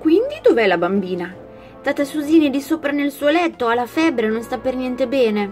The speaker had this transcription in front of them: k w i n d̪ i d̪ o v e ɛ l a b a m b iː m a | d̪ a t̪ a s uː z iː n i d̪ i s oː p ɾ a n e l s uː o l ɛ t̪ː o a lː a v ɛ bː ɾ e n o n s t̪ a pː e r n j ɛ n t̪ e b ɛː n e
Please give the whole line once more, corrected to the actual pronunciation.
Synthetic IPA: k w i n d̪ i d̪ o v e ɛ l a b a m b iː n a | t̪ a t̪ a s u z iː n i d̪ i s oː p ɾ a n e l s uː o l ɛ t̪ː o a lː a f ɛ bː ɾ e n o n s t̪ a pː e r n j ɛ n t̪ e b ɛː n e